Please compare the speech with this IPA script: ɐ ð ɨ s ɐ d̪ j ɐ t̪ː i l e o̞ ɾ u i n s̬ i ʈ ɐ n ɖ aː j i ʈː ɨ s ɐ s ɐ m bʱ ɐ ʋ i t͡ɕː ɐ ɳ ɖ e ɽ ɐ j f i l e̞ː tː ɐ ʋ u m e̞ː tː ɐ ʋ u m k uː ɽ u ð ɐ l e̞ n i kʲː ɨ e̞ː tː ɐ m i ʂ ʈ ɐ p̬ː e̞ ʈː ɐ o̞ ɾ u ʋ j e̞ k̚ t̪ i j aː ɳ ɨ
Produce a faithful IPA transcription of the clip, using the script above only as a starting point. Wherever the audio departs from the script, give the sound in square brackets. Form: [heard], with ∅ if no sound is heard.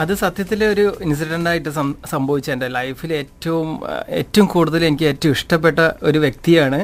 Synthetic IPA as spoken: ɐ ð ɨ s ɐ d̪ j ɐ t̪ː i l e o̞ ɾ u i n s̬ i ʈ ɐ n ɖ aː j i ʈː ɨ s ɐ s ɐ m bʱ ɐ ʋ i t͡ɕː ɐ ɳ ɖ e [l] ɐ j f i l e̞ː tː ɐ ʋ u m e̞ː tː ɐ ʋ u m k uː ɽ u ð ɐ l e̞ n i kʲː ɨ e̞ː tː ɐ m i ʂ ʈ ɐ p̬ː e̞ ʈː ɐ o̞ ɾ u ʋ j e̞ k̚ t̪ i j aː ɳ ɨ